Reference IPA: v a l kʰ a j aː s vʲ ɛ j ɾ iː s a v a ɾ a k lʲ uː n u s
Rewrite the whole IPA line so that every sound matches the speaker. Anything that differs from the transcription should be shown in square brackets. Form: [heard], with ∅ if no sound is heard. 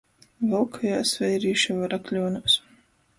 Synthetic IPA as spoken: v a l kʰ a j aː s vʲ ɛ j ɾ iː [ʃ] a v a ɾ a k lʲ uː n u s